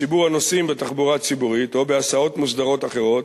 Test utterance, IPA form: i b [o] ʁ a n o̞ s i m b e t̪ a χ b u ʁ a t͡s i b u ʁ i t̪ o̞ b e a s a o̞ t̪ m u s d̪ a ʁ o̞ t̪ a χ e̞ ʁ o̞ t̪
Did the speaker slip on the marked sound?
yes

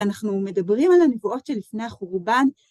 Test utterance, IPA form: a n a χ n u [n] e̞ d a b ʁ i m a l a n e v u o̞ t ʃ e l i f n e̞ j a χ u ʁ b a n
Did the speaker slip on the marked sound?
yes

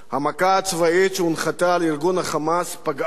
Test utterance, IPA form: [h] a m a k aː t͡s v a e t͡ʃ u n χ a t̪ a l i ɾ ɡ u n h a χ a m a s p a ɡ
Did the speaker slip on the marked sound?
no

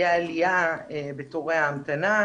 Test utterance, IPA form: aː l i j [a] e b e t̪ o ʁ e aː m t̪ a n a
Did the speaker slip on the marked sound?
no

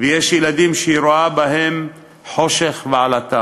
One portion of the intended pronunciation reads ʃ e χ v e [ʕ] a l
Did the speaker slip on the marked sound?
no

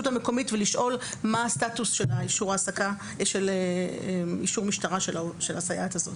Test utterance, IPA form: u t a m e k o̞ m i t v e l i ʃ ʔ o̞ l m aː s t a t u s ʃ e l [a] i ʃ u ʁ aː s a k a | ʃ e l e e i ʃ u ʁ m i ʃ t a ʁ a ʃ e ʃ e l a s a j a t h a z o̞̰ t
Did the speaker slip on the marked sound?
no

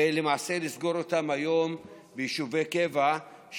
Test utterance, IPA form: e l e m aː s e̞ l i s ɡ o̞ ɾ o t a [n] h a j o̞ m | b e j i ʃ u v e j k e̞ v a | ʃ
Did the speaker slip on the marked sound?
yes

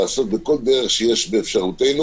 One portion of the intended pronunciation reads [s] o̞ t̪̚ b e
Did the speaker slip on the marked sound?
no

